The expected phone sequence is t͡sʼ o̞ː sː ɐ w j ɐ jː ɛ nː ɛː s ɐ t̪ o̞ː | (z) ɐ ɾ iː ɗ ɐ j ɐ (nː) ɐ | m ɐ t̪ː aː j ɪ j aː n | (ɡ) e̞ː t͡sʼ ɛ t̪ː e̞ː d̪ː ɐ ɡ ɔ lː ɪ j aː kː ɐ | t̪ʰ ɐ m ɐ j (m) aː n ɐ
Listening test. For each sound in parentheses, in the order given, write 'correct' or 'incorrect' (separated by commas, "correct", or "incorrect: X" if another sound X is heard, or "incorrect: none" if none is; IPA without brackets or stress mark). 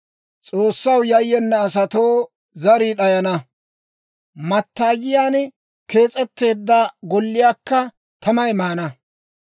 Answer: correct, incorrect: n, incorrect: k, correct